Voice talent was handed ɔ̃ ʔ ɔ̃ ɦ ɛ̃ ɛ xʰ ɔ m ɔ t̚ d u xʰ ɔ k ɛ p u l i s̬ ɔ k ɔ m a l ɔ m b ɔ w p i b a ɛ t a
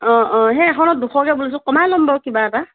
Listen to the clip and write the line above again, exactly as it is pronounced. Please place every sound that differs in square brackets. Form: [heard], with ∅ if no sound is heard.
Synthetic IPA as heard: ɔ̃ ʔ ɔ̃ ɦ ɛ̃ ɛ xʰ ɔ [n] ɔ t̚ d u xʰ ɔ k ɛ [b] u l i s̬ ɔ k ɔ m a l ɔ m b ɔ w [k] i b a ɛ t a